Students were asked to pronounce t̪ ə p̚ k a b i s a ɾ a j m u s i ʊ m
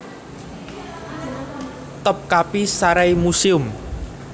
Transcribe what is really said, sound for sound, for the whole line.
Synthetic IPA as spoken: t̪ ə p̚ k a p i s a ɾ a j m u s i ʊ m